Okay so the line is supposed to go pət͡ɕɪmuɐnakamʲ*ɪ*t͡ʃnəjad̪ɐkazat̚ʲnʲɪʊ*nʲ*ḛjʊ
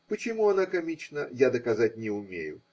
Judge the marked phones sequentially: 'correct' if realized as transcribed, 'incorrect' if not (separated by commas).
incorrect, incorrect